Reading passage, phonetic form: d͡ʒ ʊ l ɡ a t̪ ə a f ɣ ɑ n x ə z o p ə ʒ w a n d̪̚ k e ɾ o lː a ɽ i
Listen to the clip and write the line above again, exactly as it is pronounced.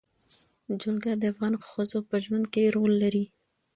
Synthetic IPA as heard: d͡ʒ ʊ l ɡ a d̪ ə a f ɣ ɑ n x ə z o p ə ʒ w a n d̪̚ k e ɾ o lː a ɾ i

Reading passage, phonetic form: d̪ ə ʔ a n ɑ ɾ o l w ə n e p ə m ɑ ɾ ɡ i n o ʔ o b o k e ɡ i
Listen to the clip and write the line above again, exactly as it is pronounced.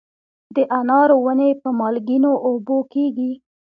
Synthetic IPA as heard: d̪ ə ʔ a n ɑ ɾ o w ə n e p ə m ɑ l ɡ i n o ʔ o b o k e ɡ i

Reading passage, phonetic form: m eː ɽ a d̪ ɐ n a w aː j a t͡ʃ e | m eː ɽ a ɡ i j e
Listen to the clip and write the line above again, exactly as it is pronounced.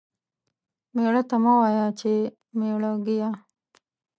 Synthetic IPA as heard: m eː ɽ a t̪ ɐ m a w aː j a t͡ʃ e | m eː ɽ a ɡ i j a

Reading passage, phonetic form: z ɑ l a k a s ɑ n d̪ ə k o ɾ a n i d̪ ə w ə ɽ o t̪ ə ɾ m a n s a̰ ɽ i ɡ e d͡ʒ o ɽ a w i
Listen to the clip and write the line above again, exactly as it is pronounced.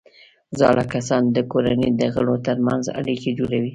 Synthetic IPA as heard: z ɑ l a k a s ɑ n d̪ ə k o ɾ a n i d̪ ə ɣ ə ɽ o t̪ ə ɾ m a n z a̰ ɽ i k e d͡ʒ o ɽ a w i

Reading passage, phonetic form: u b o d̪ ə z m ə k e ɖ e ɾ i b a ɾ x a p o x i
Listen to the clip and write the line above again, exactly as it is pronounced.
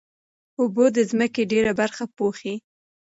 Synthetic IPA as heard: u b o d̪ ə z m ə k e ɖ e ɾ a b a ɾ x a p o x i

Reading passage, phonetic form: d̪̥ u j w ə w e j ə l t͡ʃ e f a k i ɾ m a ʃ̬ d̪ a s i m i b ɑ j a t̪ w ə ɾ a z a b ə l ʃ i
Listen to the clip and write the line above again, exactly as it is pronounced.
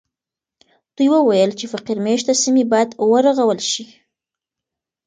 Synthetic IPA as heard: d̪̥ u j w ə w a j ə l t͡ʃ e f a q i ɾ m e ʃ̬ t̪ a s i m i b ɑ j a d̪ w ə ɾ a ɣ a w ə l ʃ i

